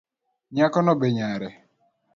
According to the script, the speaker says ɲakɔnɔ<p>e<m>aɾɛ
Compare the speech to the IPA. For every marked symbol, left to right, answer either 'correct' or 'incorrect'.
incorrect, incorrect

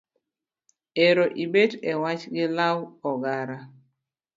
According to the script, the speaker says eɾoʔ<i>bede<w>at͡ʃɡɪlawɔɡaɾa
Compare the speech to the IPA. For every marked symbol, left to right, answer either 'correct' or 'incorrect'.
correct, correct

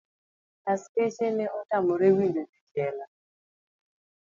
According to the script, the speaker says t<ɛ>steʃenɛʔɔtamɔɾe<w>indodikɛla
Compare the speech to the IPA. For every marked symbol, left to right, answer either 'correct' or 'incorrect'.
incorrect, correct

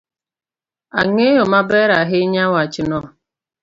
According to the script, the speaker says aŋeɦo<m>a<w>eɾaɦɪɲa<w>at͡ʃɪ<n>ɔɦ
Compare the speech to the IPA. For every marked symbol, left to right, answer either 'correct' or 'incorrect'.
correct, incorrect, correct, correct

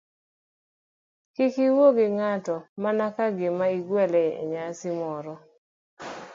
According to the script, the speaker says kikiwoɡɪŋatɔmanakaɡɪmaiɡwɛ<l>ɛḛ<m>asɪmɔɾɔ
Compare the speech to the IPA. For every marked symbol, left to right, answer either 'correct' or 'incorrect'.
correct, incorrect

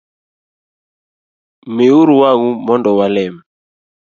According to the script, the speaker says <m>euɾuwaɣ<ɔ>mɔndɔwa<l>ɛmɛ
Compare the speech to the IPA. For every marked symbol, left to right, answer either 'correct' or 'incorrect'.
correct, incorrect, correct

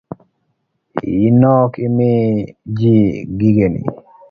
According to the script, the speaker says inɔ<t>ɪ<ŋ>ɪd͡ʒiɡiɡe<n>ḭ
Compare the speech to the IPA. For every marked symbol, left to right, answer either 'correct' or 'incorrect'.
incorrect, incorrect, correct

